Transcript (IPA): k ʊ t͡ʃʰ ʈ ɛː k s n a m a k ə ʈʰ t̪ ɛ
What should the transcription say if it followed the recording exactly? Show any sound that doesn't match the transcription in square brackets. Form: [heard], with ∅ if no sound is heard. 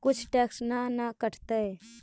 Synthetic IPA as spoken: k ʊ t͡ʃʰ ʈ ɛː k s n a [n] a k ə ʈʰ t̪ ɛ